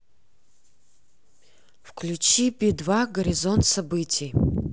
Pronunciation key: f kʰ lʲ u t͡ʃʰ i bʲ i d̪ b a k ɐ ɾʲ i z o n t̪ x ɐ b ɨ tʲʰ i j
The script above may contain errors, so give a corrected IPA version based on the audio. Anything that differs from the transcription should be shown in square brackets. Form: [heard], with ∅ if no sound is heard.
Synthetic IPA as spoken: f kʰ lʲ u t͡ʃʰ i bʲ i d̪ [v] a [ɡ] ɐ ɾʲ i z o n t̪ [s] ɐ b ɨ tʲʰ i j

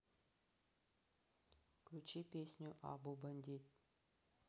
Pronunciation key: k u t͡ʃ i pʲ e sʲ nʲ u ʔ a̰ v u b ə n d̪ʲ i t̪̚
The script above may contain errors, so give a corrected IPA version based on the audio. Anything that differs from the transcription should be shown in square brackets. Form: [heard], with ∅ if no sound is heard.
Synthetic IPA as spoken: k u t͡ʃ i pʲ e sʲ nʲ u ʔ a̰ [b] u b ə n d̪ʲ i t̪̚

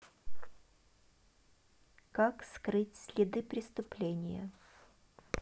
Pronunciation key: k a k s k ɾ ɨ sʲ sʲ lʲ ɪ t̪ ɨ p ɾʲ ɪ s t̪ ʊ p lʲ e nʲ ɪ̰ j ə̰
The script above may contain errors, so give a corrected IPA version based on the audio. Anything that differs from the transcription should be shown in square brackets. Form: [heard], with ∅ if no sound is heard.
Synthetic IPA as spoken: k a k s k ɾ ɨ [tʲ] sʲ lʲ ɪ [d̪] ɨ p ɾʲ ɪ s t̪ ʊ p lʲ e nʲ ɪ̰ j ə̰

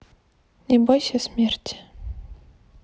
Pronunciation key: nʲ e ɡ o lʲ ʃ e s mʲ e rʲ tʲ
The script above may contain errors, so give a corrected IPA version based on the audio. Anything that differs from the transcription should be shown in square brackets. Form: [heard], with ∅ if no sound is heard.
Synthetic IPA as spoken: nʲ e [b] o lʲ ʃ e s mʲ e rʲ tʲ

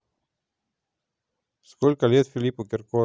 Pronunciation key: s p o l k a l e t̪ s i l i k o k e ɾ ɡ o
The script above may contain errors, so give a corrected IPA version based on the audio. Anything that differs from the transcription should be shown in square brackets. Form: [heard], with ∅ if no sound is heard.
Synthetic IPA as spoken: s [k] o l k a l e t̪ [f] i l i [p] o k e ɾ [k] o

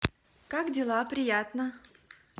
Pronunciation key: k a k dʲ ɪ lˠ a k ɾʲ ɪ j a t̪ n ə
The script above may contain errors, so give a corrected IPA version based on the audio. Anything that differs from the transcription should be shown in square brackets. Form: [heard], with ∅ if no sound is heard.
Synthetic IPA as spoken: k a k dʲ ɪ lˠ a [p] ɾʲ ɪ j a t̪ n ə

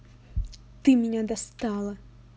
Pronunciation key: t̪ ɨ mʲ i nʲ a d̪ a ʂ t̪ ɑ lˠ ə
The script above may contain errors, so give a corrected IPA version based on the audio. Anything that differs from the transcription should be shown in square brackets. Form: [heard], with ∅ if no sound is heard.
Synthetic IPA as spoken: t̪ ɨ mʲ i nʲ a d̪ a [s] t̪ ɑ lˠ [ɐ]

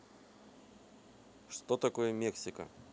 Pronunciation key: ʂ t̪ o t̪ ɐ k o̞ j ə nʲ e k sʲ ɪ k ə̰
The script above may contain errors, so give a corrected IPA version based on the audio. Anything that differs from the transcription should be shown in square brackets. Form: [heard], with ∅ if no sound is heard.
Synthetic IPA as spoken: ʂ t̪ o t̪ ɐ k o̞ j ə [mʲ] e k sʲ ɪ k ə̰

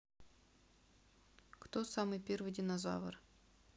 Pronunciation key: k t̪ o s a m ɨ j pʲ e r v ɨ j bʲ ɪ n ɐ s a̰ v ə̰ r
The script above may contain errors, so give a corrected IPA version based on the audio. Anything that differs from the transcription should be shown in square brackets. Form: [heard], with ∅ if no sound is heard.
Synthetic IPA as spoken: k t̪ o s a m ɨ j pʲ e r v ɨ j [dʲ] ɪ n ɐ [z] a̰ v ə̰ r

